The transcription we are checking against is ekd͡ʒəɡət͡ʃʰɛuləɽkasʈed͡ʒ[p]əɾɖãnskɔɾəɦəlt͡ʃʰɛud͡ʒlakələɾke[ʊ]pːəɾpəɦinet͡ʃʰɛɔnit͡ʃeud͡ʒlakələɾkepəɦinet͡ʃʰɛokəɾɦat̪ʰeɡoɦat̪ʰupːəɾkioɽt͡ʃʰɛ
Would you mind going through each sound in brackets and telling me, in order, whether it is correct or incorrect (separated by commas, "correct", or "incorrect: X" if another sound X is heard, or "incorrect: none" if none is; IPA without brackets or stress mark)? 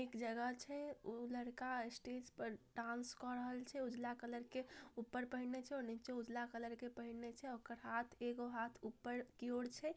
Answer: correct, incorrect: u